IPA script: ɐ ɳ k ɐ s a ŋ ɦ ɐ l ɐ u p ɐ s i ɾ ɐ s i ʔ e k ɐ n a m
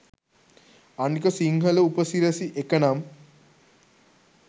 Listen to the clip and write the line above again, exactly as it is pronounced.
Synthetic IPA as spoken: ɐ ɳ k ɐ s i ŋ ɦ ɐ l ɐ u p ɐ s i ɾ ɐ s i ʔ e k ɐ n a m